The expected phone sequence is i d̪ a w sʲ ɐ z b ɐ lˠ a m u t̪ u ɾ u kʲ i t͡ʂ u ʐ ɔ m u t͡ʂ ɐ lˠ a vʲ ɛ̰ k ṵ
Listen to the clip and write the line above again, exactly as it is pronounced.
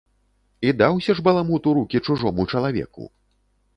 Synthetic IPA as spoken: i d̪ a w sʲ ɐ ʐ b ɐ lˠ a m u t̪ u ɾ u kʲ i t͡ʂ u ʐ ɔ m u t͡ʂ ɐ lˠ a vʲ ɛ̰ k ṵ